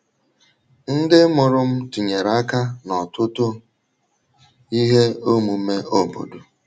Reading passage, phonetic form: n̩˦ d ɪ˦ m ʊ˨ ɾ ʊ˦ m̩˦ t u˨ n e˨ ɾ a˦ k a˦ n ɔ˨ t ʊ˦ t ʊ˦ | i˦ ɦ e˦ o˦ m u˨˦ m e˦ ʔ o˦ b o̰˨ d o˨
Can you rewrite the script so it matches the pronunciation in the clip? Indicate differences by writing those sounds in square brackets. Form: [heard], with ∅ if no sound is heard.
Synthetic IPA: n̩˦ d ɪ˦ m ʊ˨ ɾ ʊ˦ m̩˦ t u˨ [ɲ] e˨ ɾ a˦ k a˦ n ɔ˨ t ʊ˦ t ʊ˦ | i˦ ɦ e˦ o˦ m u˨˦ m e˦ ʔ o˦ b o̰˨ d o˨